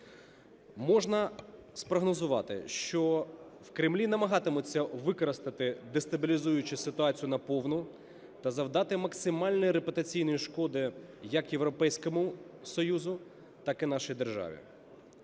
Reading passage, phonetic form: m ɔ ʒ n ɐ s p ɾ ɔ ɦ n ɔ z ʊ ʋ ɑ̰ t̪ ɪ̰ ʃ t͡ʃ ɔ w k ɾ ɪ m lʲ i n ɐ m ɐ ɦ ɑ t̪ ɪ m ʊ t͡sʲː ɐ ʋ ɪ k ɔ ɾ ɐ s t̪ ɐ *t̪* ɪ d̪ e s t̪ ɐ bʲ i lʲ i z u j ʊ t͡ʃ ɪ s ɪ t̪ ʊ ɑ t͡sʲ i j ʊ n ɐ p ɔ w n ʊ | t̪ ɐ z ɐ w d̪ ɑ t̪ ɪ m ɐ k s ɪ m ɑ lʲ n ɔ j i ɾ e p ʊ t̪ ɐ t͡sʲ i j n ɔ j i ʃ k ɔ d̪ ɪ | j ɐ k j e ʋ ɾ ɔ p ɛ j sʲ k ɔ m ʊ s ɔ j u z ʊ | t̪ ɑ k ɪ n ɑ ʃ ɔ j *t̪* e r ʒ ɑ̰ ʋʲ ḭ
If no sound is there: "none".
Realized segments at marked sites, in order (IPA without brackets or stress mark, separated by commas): t̪, d̪